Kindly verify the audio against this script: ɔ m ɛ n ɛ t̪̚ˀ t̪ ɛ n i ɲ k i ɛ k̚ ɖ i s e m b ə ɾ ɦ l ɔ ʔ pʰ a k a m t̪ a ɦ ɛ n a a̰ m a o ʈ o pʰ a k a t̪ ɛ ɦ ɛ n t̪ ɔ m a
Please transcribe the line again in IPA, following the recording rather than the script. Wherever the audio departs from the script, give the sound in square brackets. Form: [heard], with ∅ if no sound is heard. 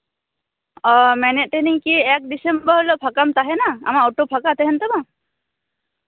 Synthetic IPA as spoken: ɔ m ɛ n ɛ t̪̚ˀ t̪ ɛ n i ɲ k i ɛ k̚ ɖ i s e m b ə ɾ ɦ l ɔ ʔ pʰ a k a m t̪ a ɦ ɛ n a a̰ m a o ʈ o pʰ a k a t̪ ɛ ɦ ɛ n t̪ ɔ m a